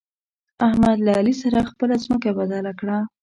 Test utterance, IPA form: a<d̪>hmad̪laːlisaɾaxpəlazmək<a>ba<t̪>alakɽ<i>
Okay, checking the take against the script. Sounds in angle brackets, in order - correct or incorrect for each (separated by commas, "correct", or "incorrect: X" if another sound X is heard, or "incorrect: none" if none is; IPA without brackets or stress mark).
incorrect: none, correct, incorrect: d̪, incorrect: a